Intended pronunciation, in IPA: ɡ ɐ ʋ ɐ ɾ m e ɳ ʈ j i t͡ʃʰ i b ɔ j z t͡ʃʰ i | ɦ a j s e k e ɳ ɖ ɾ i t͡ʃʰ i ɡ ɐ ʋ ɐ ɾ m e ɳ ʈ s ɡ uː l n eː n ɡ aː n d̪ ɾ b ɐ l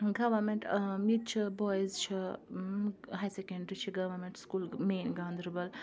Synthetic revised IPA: ɡ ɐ ʋ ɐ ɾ m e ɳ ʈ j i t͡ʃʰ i b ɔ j z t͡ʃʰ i | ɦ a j s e k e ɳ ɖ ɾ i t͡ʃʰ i ɡ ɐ ʋ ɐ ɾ m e ɳ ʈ s k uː l m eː n ɡ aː n d̪ ɾ b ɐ l